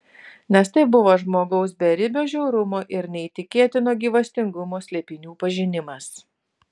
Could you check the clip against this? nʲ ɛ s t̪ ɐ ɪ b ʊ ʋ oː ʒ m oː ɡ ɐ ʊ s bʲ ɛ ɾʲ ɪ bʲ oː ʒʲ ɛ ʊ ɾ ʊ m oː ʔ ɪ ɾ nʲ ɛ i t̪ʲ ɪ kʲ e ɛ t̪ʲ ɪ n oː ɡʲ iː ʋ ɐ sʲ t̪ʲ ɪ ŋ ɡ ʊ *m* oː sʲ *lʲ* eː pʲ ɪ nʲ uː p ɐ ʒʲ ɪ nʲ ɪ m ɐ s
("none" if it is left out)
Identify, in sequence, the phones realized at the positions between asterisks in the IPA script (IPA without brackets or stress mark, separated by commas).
m, lʲ